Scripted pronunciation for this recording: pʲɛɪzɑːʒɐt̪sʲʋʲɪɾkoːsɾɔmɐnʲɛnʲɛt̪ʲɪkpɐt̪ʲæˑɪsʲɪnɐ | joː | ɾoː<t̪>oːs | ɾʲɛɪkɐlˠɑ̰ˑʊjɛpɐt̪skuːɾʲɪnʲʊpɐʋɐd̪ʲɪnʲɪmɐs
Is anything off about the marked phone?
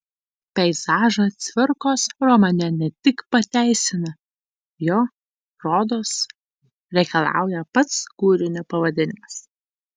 yes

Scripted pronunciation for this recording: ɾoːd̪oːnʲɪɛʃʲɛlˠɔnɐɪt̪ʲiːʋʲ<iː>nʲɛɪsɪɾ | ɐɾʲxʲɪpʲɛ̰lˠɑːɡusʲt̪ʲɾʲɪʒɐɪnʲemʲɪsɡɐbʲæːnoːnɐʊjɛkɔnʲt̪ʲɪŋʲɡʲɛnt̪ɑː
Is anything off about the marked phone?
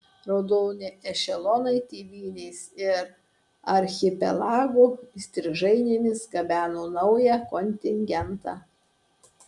no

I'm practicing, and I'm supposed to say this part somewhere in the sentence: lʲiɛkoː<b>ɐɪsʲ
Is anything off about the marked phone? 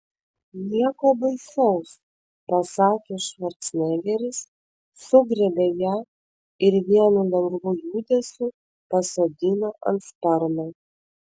no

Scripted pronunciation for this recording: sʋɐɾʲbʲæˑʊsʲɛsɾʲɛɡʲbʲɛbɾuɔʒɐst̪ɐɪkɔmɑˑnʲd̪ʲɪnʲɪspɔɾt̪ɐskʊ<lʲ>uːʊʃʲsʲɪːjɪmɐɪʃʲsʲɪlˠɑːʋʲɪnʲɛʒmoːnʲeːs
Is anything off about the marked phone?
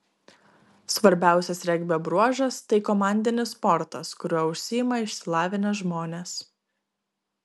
yes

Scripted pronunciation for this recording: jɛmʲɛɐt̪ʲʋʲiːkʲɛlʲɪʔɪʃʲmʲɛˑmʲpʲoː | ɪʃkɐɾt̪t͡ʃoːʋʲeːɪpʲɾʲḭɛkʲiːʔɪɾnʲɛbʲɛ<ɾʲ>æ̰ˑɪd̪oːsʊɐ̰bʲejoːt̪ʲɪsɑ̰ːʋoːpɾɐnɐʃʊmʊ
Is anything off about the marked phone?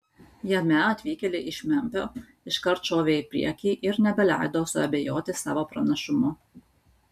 yes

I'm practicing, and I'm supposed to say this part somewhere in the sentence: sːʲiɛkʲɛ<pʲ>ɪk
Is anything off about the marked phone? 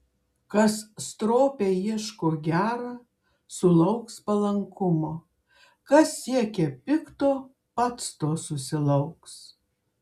no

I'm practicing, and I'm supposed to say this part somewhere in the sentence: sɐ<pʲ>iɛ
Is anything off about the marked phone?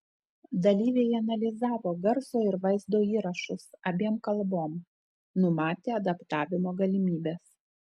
yes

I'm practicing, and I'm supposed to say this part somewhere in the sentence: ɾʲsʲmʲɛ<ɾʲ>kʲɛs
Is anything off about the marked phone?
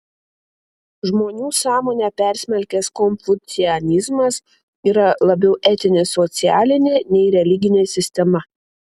yes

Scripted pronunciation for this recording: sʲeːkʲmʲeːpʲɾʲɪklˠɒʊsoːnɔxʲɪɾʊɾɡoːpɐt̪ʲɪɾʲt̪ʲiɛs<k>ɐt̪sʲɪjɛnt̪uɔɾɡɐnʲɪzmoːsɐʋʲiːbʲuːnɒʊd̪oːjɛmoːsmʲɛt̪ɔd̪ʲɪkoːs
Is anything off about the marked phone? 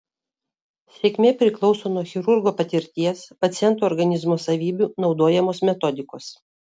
yes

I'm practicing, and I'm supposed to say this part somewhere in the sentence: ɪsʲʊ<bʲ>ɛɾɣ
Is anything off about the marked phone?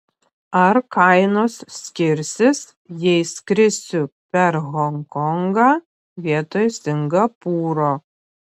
yes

